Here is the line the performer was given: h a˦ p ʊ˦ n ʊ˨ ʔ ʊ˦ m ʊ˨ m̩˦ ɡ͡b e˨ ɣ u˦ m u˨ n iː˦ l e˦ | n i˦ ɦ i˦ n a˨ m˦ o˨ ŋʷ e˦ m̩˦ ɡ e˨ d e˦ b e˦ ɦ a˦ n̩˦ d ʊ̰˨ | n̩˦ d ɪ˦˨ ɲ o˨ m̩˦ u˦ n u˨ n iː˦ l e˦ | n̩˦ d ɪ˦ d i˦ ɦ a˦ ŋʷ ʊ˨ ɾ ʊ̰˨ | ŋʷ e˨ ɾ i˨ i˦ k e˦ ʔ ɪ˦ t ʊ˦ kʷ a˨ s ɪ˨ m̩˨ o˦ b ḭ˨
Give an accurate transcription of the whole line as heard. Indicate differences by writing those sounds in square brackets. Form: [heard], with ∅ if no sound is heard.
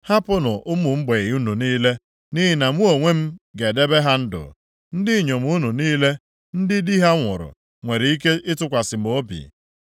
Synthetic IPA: h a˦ p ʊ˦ n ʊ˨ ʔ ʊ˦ m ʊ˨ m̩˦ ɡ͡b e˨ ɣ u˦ [n] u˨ n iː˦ l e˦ | n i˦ ɦ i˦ n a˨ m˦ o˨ ŋʷ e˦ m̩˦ ɡ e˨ d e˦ b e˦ ɦ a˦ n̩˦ d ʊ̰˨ | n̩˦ d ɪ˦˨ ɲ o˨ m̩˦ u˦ n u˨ n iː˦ l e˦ | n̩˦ d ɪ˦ d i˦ ɦ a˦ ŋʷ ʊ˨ ɾ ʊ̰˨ | ŋʷ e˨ ɾ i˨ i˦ k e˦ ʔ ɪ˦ t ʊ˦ kʷ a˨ s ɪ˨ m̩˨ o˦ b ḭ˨